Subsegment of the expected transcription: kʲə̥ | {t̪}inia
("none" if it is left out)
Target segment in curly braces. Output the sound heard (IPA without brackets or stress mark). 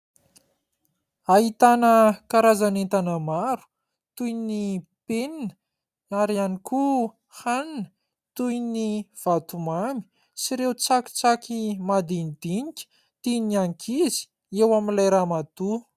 t̪